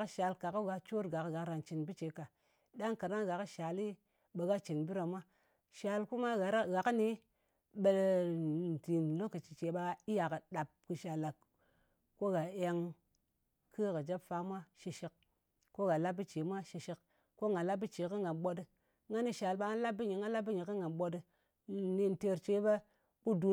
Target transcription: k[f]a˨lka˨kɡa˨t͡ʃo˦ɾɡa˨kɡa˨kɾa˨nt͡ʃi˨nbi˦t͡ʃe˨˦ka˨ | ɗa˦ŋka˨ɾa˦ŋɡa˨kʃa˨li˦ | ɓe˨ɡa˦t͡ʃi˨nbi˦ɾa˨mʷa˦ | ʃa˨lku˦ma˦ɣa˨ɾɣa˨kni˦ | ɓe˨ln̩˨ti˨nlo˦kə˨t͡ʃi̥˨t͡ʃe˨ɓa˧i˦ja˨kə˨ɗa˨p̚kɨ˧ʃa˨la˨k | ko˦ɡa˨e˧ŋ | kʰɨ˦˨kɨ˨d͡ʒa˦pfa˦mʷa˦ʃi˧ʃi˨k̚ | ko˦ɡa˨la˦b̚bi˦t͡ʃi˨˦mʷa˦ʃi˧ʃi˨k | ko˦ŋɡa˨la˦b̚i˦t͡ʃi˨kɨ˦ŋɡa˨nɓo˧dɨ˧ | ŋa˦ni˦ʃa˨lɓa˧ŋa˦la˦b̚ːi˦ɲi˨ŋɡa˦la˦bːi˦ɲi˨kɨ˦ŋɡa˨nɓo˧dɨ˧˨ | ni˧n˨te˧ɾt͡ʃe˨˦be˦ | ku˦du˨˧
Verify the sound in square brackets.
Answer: incorrect: ʃ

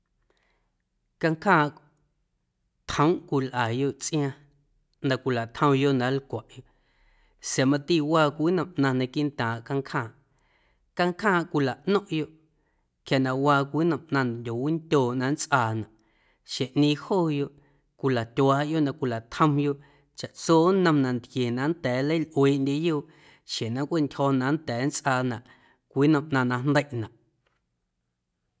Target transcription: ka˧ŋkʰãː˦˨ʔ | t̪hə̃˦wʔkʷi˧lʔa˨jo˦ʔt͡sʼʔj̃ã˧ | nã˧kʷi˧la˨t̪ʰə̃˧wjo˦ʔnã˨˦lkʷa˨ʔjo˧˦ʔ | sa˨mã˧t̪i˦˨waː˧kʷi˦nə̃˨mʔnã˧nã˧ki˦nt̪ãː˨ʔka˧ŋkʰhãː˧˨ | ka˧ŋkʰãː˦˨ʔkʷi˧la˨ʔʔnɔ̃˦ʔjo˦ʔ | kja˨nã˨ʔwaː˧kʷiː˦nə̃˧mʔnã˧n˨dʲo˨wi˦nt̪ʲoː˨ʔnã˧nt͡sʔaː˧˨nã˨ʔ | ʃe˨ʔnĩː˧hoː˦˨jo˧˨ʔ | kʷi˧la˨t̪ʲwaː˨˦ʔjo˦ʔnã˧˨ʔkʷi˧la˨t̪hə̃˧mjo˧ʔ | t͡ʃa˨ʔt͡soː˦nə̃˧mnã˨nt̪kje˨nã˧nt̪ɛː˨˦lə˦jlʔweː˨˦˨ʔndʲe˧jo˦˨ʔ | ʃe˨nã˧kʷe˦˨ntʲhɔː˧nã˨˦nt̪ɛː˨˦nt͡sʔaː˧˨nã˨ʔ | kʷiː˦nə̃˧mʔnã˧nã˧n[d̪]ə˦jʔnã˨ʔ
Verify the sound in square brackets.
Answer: correct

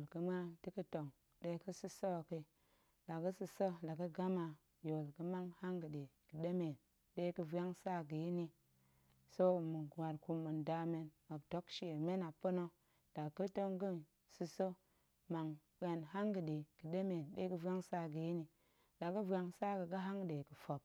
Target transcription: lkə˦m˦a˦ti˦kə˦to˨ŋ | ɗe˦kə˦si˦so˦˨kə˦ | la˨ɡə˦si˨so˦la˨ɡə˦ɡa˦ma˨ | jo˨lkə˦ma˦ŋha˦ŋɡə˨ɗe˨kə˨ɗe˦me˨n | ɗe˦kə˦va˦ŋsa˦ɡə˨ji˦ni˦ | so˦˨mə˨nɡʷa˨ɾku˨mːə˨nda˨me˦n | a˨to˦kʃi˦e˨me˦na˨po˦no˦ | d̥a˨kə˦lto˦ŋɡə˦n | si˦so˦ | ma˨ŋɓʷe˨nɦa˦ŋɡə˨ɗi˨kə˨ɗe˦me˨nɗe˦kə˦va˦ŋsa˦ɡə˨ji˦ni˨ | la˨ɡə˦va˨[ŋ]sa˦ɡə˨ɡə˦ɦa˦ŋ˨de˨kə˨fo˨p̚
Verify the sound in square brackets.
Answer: correct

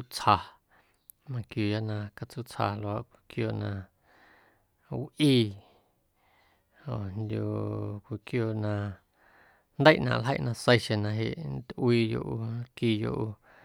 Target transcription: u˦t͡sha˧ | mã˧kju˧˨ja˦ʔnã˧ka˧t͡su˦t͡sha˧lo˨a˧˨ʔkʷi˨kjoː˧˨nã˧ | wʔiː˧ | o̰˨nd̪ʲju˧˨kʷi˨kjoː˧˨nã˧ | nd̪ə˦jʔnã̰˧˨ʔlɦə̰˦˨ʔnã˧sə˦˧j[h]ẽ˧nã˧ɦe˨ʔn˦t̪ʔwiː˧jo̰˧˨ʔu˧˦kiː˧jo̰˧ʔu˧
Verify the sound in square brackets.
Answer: incorrect: ʃ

